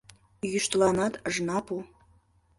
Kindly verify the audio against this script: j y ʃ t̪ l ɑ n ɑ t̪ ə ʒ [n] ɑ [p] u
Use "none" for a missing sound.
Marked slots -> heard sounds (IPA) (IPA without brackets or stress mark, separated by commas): n, p